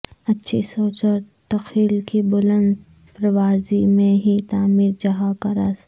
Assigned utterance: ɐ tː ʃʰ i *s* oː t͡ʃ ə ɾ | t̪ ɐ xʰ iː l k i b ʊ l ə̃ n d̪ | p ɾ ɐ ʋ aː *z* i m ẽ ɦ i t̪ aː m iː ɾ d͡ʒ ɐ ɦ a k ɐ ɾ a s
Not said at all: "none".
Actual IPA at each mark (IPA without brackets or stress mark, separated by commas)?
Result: s, z